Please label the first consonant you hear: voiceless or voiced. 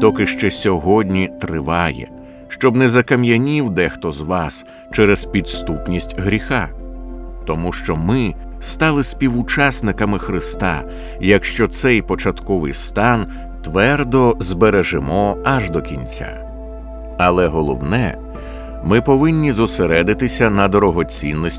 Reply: voiceless